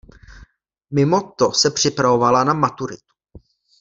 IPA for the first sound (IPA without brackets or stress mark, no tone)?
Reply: m